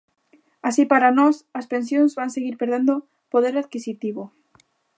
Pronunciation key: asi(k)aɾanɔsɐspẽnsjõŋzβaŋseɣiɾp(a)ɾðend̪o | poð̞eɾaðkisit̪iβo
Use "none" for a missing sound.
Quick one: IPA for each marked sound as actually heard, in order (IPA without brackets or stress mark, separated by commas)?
p, e